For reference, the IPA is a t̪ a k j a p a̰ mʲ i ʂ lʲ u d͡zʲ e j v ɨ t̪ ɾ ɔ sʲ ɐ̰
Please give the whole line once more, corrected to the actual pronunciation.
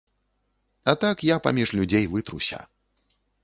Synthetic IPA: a t̪ a k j a p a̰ mʲ i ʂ lʲ u d͡zʲ e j v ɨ t̪ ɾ u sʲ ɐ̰

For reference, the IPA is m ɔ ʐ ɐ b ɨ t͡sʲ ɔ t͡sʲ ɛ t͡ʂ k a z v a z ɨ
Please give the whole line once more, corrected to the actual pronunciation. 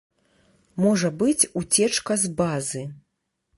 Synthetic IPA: m ɔ ʐ ɐ b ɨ t͡sʲ u t͡sʲ ɛ t͡ʂ k ɐ z b a z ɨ

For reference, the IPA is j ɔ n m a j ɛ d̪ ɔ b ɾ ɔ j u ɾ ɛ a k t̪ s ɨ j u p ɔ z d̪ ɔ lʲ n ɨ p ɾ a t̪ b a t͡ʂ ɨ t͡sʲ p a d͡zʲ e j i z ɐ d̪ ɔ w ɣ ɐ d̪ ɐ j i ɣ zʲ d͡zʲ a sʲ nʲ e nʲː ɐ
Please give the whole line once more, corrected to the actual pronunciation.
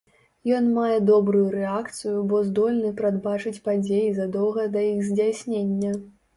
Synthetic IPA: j ɔ n m a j ɛ d̪ ɔ b ɾ u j u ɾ ɛ a k t̪ s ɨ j u b ɔ z d̪ ɔ lʲ n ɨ p ɾ a d̪ b a t͡ʂ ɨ t͡sʲ p a d͡zʲ e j i z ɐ d̪ ɔ w ɣ ɐ d̪ ɐ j i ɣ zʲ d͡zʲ a sʲ nʲ e nʲː ɐ

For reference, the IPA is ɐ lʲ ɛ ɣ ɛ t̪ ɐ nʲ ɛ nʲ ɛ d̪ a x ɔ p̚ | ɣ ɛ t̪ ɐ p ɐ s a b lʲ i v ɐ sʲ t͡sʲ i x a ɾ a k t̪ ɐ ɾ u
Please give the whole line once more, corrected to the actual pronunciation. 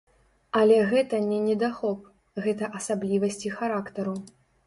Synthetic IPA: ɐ lʲ ɛ ɣ ɛ t̪ ɐ nʲ ɛ nʲ ɛ d̪ a x ɔ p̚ | ɣ ɛ t̪ ɐ ʔ ɐ s a b lʲ i v ɐ sʲ t͡sʲ i x a ɾ a k t̪ ɐ ɾ u

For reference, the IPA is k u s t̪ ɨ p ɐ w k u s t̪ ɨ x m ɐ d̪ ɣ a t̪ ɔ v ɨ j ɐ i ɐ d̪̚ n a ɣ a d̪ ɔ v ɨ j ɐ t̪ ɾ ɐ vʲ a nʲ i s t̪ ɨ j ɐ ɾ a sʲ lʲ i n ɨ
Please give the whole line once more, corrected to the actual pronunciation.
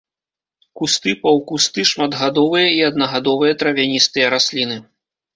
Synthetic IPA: k u s t̪ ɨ p ɐ w k u s t̪ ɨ ʂ m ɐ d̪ ɣ a d̪ ɔ v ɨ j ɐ i ɐ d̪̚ n ɐ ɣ a d̪ ɔ v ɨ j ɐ t̪ ɾ ɐ vʲ a nʲ i s t̪ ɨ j ɐ ɾ a sʲ lʲ i n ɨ

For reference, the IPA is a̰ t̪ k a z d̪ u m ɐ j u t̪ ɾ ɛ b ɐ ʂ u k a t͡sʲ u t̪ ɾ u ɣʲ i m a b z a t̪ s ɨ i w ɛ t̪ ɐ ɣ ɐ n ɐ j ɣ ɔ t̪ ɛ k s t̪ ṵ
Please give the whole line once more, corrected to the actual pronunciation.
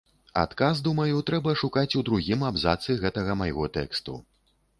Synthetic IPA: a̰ t̪ k a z d̪ u m ɐ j u t̪ ɾ ɛ b ɐ ʂ u k a t͡sʲ u d̪ ɾ u ɣʲ i m a b z a t̪ s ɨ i ɣ ɛ t̪ ɐ ɣ ɐ m ɐ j ɣ ɔ t̪ ɛ k s t̪ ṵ

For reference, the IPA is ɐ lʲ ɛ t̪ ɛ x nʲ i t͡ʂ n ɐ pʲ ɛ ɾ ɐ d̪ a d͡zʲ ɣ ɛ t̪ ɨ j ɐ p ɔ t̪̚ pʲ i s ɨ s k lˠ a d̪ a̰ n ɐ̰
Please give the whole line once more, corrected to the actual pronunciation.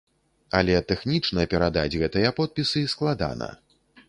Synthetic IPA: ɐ lʲ ɛ t̪ ɛ x nʲ i t͡ʂ n ɐ pʲ ɛ ɾ a d̪ a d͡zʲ ɣ ɛ t̪ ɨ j ɐ p ɔ t̪̚ pʲ i s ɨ s k lˠ a d̪ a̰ n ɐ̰

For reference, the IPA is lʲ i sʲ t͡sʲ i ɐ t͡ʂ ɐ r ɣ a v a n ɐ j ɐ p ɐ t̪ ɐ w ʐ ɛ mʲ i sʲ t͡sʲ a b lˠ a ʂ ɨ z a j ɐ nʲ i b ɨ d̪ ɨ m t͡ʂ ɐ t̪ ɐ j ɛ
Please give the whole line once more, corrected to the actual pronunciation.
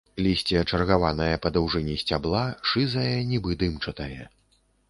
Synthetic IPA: lʲ i sʲ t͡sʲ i ɐ t͡ʂ ɐ r ɣ a v a n ɐ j ɐ p ɐ d̪ ɐ w ʐ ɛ nʲ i sʲ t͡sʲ a b lˠ a ʂ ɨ z ɐ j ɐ nʲ i b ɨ d̪ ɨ m t͡ʂ ɐ t̪ ɐ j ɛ

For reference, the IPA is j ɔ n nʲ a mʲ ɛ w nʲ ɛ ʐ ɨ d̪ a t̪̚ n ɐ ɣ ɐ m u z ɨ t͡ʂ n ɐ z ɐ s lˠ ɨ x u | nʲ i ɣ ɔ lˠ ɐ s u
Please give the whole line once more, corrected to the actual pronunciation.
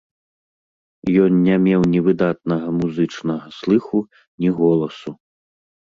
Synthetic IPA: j ɔ n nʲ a mʲ ɛ w nʲ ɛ v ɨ d̪ a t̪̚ n ɐ ɣ ɐ m u z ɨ t͡ʂ n ɐ ɣ ɐ s lˠ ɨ x u | nʲ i ɣ ɔ lˠ ɐ s u

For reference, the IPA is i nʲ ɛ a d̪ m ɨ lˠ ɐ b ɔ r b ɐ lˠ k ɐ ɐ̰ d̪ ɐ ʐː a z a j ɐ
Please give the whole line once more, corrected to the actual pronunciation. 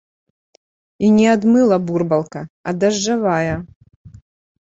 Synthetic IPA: i nʲ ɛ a d̪ m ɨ lˠ ɐ b u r b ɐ lˠ k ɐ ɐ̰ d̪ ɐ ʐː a v a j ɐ

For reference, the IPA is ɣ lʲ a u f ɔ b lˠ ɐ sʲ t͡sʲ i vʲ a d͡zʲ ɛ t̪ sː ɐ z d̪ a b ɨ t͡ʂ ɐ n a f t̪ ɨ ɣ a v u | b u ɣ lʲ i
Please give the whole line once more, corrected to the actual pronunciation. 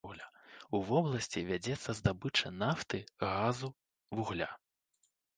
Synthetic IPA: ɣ lʲ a u v ɔ b lˠ ɐ sʲ t͡sʲ i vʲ a d͡zʲ ɛ t̪ sː ɐ z d̪ a b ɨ t͡ʂ ɐ n a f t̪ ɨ ɣ a z u | v u ɣ lʲ a

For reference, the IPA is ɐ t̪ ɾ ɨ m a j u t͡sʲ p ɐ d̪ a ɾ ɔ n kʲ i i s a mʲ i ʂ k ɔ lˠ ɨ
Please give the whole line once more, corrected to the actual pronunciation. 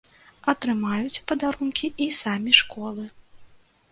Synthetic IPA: ɐ t̪ ɾ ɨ m a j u t͡sʲ p ɐ d̪ a ɾ u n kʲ i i s a mʲ i ʂ k ɔ lˠ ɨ

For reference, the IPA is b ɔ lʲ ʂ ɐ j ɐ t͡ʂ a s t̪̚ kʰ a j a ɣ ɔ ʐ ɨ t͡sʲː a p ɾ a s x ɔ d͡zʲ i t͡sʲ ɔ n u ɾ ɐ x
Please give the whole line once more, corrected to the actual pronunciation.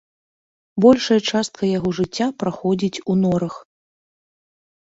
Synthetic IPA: b ɔ lʲ ʂ ɐ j ɐ t͡ʂ a s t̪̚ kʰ ɐ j a ɣ ɔ ʐ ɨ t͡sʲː a p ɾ a x ɔ d͡zʲ i t͡sʲ u n ɔ ɾ ɐ x

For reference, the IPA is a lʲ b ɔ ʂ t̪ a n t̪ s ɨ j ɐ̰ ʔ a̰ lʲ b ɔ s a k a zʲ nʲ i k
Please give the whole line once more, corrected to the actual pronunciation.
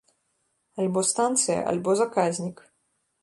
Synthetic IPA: a lʲ b ɔ s t̪ a n t̪ s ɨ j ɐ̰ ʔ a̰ lʲ b ɔ z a k a zʲ nʲ i k

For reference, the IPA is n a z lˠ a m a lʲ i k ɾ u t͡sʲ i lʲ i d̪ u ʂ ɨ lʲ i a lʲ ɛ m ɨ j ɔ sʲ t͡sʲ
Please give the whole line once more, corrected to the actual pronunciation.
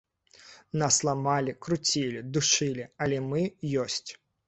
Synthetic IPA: n a s lˠ a m a lʲ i k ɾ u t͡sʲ i lʲ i d̪ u ʂ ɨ lʲ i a lʲ ɛ m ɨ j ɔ sʲ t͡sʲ

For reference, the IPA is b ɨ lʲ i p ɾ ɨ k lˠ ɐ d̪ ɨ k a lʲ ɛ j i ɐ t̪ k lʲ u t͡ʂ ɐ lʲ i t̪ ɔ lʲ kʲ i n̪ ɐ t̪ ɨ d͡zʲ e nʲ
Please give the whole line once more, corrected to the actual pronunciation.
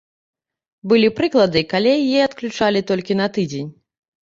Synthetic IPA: b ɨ lʲ i p ɾ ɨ k lˠ ɐ d̪ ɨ k a lʲ ɛ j ɛ ɐ t̪ k lʲ u t͡ʂ a lʲ i t̪ ɔ lʲ kʲ i n̪ ɐ t̪ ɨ d͡zʲ e nʲ

